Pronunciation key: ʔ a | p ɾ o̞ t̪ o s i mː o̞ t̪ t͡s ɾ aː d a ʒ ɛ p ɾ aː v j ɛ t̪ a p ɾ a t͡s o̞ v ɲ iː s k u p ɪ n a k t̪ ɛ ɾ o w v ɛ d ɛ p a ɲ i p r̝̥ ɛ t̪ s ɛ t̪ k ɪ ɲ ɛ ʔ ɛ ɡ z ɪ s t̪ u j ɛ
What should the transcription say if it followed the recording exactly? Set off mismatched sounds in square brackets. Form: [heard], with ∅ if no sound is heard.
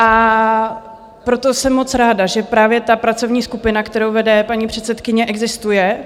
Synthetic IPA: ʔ a | p ɾ o̞ t̪ o s [ɛ] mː o̞ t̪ t͡s ɾ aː d a ʒ ɛ p ɾ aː v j ɛ t̪ a p ɾ a t͡s o̞ v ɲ iː s k u p ɪ n a k t̪ ɛ ɾ o w v ɛ d ɛ p a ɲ i p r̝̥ ɛ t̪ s ɛ t̪ k ɪ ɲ ɛ ʔ ɛ ɡ z ɪ s t̪ u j ɛ